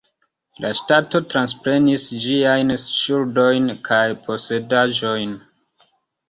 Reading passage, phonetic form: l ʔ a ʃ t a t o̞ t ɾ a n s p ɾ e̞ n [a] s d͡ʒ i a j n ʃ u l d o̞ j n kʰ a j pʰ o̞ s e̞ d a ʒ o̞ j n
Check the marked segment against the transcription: incorrect: i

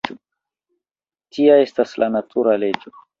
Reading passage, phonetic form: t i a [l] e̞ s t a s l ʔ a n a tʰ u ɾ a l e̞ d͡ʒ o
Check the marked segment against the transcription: incorrect: none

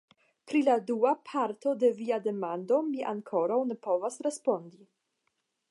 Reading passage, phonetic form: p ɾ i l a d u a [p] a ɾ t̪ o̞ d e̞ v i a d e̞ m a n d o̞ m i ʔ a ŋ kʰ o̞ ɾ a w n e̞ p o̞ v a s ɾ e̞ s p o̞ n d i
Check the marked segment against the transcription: incorrect: pʰ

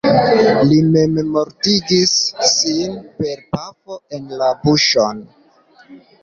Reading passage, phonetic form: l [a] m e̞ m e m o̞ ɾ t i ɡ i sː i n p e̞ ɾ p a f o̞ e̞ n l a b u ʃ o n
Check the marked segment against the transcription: incorrect: i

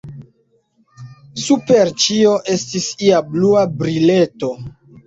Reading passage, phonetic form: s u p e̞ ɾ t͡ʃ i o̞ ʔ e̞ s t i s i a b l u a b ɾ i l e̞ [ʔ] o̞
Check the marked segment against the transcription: incorrect: t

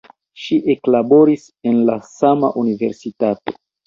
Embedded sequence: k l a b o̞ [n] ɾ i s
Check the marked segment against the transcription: incorrect: none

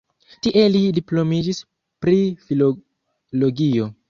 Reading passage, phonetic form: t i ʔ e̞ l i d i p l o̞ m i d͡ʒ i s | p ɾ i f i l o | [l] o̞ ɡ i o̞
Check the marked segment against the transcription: correct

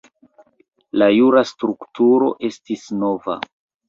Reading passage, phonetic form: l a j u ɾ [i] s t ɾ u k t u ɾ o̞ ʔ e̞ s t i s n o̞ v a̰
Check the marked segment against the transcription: incorrect: a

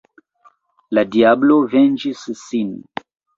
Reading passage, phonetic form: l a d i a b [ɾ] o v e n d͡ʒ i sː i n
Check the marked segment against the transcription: incorrect: l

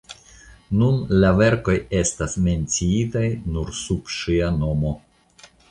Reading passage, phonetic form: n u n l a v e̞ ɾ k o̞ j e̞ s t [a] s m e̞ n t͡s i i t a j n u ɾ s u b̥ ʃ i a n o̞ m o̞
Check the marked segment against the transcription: correct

